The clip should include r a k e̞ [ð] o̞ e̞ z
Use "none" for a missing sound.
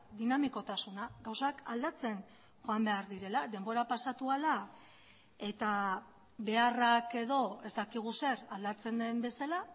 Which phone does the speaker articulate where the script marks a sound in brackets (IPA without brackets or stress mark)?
ð